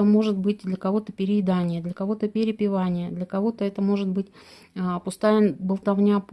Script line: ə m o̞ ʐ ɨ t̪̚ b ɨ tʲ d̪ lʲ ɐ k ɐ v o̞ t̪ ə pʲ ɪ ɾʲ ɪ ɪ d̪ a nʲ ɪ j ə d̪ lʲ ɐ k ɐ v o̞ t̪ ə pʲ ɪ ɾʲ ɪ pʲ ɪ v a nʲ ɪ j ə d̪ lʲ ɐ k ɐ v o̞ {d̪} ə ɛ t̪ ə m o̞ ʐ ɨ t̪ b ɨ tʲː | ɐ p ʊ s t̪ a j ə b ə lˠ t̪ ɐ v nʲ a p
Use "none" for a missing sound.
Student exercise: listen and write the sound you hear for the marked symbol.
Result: t̪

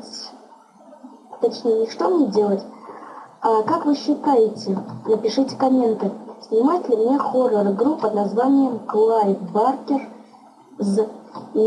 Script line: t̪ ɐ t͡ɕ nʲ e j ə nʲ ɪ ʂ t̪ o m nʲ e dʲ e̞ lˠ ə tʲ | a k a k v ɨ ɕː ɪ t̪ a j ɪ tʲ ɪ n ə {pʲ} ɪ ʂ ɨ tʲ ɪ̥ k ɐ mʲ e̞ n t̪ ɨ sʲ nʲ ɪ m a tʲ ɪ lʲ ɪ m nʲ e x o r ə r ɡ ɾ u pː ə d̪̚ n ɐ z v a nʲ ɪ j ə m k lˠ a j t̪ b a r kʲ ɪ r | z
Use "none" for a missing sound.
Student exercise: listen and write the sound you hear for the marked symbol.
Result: pʲ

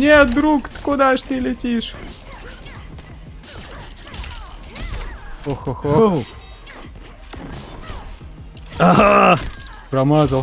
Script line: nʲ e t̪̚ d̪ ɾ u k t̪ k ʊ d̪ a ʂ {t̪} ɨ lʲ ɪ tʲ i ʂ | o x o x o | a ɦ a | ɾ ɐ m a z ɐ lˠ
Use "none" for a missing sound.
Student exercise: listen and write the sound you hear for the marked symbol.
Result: t̪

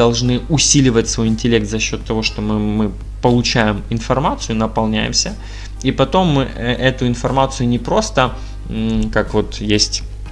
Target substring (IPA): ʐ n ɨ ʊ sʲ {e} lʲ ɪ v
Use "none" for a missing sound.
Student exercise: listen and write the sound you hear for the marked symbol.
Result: i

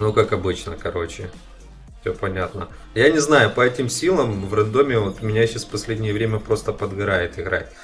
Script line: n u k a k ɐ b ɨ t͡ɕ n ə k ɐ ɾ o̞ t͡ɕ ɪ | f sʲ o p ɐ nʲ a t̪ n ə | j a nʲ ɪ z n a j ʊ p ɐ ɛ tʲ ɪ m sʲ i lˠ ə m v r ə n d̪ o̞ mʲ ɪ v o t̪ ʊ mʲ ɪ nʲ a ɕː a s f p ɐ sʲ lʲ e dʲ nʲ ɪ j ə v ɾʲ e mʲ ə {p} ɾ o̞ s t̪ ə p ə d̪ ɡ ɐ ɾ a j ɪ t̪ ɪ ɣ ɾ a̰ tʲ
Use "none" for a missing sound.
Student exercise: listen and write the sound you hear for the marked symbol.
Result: p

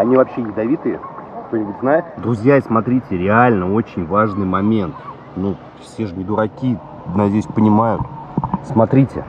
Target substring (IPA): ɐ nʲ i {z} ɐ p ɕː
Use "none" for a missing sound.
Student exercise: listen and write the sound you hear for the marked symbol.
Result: v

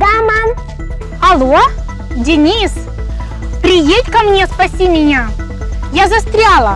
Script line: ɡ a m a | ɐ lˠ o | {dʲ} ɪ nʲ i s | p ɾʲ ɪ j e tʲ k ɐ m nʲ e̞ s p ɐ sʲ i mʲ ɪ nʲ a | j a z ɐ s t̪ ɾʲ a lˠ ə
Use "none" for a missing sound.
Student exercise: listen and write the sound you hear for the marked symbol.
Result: dʲ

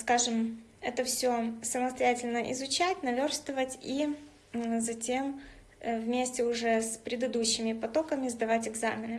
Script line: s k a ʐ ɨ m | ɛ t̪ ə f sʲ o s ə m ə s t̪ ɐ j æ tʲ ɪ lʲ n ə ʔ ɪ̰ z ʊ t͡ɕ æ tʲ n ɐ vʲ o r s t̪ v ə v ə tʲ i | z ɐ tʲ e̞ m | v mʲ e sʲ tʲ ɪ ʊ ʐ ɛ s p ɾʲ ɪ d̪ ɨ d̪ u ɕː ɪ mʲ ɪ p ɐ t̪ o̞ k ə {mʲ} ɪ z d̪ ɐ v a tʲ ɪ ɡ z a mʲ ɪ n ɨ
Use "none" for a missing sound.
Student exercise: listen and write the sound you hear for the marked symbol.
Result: mʲ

